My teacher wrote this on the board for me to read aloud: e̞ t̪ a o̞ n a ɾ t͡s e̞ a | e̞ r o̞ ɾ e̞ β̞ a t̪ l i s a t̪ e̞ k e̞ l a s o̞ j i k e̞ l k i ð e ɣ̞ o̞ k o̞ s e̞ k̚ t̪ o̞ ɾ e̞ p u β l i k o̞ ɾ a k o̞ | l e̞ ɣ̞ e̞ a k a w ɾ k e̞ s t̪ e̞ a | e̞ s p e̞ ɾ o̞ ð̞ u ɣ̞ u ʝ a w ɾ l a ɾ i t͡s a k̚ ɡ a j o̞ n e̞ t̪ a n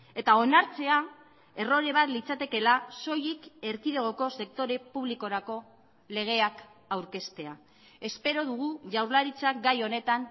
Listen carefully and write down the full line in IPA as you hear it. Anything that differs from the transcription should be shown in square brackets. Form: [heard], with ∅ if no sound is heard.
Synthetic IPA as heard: e̞ t̪ a o̞ n a ɾ t͡s e̞ a | e̞ r o̞ ɾ e̞ β̞ a t̪ l i [t͡s] a t̪ e̞ k e̞ l a s o̞ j i k e̞ [ɾ] k i ð e ɣ̞ o̞ k o̞ s e̞ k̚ t̪ o̞ ɾ e̞ p u β l i k o̞ ɾ a k o̞ | l e̞ ɣ̞ e̞ a k a w ɾ k e̞ s t̪ e̞ a | e̞ s p e̞ ɾ o̞ ð̞ u ɣ̞ u ʝ a w ɾ l a ɾ i t͡s a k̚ ɡ a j o̞ n e̞ t̪ a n